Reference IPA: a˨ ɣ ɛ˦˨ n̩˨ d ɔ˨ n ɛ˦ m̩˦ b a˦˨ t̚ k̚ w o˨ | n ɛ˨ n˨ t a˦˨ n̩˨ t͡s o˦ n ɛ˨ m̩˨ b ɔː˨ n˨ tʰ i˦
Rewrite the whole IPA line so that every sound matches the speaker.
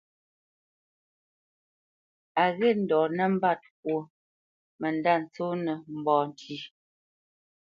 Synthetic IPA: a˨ ɣ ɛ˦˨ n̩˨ d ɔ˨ n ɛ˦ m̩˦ b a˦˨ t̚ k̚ w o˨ | m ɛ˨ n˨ d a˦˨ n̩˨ t͡s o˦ n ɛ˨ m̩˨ b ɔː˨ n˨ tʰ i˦